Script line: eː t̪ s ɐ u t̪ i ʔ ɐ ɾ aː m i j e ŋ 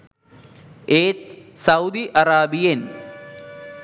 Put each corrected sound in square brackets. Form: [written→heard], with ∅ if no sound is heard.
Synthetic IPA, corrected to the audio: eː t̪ s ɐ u [t̪→d̪] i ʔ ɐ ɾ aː [m→b] i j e [ŋ→n]